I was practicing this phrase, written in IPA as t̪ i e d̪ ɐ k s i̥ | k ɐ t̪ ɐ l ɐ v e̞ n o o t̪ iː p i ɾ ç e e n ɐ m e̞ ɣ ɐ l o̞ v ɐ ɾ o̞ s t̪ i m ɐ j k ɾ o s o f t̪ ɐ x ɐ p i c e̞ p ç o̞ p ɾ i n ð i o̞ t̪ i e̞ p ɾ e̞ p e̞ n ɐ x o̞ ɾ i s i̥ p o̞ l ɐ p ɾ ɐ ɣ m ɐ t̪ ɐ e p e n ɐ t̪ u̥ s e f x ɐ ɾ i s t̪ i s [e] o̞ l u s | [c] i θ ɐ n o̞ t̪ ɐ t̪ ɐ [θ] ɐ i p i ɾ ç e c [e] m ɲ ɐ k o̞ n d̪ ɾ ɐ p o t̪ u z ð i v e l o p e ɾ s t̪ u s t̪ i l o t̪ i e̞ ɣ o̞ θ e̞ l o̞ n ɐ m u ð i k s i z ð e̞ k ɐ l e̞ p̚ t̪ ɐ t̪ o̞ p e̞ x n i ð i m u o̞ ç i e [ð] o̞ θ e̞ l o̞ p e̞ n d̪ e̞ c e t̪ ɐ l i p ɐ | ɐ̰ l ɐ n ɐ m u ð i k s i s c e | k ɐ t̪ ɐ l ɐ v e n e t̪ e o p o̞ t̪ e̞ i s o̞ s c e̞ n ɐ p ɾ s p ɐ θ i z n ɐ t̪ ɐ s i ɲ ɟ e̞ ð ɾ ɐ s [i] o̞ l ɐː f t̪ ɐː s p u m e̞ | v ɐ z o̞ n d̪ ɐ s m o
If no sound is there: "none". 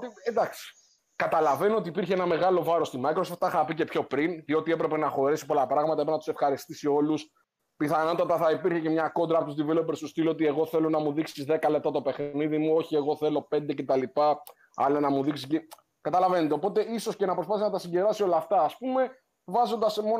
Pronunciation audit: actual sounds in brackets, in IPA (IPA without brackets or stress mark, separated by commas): i, p, θ, e, ɣ, i